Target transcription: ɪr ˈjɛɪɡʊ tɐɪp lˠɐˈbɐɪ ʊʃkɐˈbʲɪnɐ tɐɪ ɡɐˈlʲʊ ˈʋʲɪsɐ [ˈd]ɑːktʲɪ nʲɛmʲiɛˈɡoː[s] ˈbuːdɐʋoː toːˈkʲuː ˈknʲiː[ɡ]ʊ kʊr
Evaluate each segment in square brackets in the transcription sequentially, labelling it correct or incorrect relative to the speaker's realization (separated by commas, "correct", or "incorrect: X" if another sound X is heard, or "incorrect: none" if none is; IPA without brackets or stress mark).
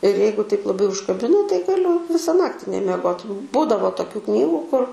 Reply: incorrect: n, incorrect: t, correct